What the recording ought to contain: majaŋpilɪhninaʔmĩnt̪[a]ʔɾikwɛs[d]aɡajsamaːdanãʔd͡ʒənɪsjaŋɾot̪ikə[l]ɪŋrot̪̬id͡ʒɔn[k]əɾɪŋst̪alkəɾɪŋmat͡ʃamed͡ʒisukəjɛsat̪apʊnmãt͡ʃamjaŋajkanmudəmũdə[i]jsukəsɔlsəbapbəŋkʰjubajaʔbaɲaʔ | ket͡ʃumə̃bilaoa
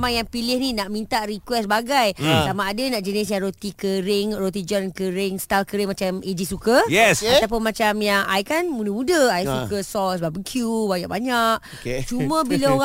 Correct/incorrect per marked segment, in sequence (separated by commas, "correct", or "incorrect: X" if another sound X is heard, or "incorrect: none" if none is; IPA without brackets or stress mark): correct, incorrect: b, incorrect: ɾ, correct, incorrect: a